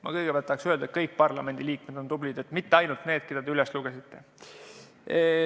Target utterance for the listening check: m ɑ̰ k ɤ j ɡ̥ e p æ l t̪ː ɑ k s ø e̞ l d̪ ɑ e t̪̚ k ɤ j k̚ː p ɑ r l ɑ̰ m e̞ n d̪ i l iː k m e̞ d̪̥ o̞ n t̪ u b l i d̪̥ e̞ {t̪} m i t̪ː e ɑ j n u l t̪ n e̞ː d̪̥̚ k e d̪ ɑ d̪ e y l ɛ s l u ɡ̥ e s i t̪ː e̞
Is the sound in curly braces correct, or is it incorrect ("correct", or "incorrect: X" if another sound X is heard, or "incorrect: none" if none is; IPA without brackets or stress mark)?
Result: correct